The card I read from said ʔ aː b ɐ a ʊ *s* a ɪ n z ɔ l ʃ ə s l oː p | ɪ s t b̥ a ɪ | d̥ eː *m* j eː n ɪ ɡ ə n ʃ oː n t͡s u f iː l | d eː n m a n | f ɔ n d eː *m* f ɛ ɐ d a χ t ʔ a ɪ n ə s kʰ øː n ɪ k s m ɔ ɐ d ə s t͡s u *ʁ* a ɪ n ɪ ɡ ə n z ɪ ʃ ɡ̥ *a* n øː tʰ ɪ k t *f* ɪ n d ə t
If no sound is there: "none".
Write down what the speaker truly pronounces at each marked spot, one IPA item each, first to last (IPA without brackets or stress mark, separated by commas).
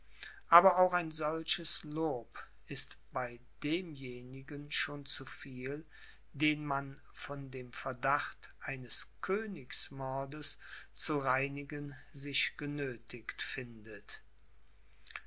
x, m, m, ʁ, ə, f